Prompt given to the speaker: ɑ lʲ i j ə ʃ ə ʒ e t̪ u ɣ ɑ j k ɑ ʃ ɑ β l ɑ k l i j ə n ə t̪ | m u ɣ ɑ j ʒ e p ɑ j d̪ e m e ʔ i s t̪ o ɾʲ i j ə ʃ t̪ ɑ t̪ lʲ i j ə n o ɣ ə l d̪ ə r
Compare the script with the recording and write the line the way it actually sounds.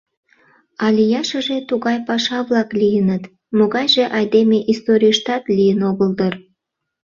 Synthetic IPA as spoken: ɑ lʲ i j ɑ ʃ ə ʒ e t̪ u ɣ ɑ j p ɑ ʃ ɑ β l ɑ k l i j ə n ə t̪ | m o ɣ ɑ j ʒ e ʔ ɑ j d̪ e m e ʔ i s t̪ o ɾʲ i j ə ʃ t̪ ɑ t̪ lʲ i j ə n o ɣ ə l d̪ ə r

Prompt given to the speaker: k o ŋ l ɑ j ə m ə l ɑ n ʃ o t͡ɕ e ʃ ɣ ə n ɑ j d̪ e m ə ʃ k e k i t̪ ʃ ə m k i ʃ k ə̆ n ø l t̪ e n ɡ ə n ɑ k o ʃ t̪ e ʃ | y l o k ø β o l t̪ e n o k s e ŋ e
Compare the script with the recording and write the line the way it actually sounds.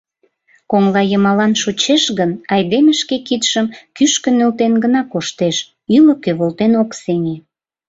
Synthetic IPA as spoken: k o ŋ l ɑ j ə m ɑ l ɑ n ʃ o t͡ɕ e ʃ ɣ ə n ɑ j d̪ e m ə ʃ k e k i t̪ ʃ ə m k y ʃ k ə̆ n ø l t̪ e n ɡ ə n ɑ k o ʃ t̪ e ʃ | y l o k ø β o l t̪ e n o k s e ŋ e

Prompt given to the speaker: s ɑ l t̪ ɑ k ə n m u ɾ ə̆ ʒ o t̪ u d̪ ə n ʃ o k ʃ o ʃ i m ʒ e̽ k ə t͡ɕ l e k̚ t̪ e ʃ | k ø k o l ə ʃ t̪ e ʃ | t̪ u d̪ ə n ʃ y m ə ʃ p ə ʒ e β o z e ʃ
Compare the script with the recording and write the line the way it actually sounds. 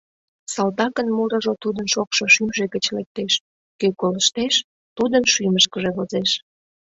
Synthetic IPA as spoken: s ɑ l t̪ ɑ k ə n m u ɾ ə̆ ʒ o t̪ u d̪ ə n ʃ o k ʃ o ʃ y m ʒ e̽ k ə t͡ɕ l e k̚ t̪ e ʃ | k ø k o l ə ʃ t̪ e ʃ | t̪ u d̪ ə n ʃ y m ə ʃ k ə ʒ e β o z e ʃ

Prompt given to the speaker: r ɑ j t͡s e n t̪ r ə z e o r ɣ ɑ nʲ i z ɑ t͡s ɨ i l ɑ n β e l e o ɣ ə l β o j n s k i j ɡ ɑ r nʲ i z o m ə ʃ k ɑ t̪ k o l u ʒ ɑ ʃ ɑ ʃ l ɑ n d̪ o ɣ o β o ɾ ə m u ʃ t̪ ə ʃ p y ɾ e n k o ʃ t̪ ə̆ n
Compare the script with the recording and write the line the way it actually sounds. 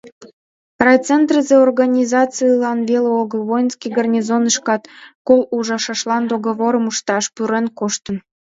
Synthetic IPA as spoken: r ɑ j t͡s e n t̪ r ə z e o r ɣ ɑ nʲ i z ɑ t͡s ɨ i l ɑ n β e l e o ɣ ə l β o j n s k i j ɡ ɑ r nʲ i z o n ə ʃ k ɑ t̪ k o l u ʒ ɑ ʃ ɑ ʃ l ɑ n d̪ o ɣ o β o ɾ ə m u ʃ t̪ ɑ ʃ p y ɾ e n k o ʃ t̪ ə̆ n

